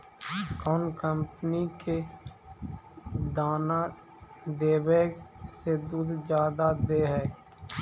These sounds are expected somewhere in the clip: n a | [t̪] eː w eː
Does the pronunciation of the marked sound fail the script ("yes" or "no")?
yes